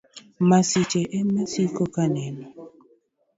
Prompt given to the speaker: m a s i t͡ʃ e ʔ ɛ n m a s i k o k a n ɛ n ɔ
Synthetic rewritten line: m a s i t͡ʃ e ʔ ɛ m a s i k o k a n ɛ n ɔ